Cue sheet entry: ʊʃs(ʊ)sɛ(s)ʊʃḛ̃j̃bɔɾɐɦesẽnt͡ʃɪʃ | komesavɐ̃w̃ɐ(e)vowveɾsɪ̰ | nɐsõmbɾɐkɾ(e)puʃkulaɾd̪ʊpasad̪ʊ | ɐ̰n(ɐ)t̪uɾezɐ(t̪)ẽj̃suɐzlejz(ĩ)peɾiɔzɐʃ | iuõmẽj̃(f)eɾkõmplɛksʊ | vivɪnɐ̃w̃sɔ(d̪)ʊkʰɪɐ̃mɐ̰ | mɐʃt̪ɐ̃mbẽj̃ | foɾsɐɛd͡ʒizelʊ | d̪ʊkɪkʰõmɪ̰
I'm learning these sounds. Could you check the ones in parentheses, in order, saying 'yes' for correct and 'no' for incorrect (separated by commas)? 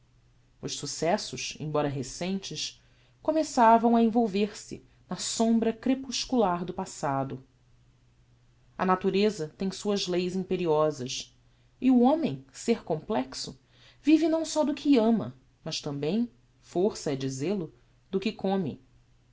no, yes, no, yes, no, yes, yes, no, yes